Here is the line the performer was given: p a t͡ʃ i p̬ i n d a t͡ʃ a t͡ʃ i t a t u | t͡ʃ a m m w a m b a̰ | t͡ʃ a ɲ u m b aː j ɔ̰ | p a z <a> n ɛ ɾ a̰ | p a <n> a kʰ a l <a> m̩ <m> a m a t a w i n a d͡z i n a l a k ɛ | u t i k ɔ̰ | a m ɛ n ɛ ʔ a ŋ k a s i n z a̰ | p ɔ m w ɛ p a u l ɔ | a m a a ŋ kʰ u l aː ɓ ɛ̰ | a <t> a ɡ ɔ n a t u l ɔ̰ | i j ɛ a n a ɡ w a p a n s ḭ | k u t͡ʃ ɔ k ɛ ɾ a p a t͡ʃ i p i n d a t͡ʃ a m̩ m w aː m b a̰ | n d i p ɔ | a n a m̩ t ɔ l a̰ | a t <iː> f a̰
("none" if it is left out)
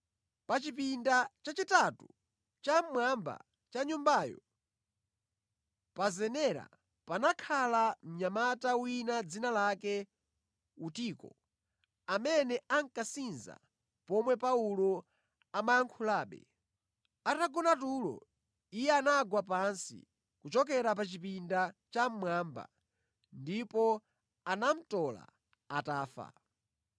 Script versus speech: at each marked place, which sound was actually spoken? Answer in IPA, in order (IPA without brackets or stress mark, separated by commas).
ɛ, n, a, ɲ, t, aː